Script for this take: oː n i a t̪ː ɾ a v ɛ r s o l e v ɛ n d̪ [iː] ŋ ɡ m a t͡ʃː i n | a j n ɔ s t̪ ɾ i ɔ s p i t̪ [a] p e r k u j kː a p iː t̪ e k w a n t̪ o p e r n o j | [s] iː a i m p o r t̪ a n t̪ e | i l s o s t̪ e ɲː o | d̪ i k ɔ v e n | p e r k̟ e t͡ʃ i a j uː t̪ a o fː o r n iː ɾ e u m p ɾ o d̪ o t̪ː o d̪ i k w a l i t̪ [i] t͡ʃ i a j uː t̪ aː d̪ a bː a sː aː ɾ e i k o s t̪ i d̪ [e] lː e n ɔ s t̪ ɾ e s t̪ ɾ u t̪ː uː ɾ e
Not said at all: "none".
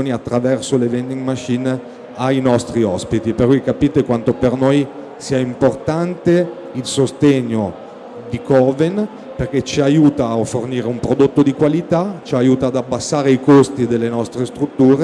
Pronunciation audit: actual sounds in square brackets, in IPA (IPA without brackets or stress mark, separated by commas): i, i, s, a, e